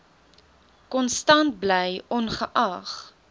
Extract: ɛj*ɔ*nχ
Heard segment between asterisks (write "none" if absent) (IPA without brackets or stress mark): ɔ